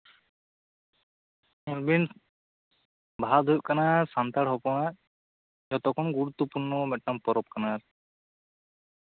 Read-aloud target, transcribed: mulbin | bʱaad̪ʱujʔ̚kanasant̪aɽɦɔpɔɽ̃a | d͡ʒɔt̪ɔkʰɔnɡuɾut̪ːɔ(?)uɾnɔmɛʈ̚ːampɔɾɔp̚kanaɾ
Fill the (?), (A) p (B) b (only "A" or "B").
A